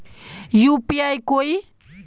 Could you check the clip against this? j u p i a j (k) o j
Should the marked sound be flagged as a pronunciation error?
no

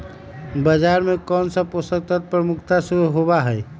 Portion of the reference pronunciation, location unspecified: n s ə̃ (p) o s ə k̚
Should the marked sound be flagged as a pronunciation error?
no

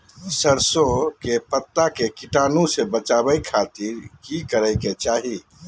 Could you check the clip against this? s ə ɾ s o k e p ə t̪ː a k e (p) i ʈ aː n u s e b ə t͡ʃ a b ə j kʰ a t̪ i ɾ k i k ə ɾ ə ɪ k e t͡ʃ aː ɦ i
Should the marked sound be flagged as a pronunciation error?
yes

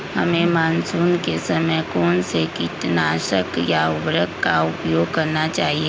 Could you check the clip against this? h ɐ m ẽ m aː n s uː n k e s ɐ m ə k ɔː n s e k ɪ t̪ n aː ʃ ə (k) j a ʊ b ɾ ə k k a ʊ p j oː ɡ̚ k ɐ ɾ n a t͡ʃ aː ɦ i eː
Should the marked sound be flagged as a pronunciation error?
no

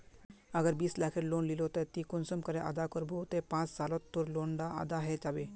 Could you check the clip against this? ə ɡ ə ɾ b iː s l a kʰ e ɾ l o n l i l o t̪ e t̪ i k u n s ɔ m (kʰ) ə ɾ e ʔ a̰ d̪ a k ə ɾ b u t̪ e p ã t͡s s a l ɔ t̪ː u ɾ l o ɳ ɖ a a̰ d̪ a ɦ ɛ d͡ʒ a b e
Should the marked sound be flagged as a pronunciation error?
yes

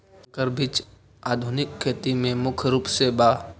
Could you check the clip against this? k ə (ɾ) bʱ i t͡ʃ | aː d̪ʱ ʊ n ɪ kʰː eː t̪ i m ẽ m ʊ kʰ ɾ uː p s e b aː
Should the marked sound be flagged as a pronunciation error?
no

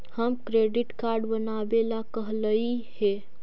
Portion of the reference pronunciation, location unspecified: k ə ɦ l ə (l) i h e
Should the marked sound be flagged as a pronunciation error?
yes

